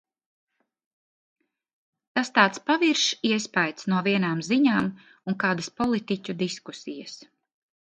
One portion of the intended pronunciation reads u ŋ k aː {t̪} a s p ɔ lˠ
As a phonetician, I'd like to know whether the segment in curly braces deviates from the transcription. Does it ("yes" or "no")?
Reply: yes